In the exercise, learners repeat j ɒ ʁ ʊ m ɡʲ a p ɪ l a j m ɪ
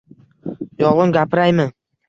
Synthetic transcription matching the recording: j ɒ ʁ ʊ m ɡʲ a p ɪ ɾ a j m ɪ